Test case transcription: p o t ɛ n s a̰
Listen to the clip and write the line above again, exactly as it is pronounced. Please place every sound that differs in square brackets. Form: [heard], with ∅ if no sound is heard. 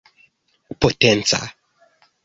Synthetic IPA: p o t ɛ n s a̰